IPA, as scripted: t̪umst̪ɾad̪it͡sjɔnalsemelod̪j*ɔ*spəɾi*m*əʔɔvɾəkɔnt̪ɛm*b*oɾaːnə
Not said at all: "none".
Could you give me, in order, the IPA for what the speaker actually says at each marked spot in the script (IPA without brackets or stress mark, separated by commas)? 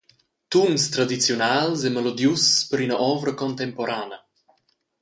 u, n, p